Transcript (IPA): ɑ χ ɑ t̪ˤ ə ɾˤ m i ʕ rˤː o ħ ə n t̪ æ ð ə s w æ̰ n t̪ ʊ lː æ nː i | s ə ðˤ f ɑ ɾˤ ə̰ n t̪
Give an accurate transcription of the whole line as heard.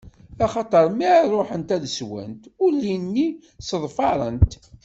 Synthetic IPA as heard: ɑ χ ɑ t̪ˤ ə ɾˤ m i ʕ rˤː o ħ ə n t̪ æ ð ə s w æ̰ n t̪ ʊ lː i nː i | s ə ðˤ f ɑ ɾˤ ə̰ n t̪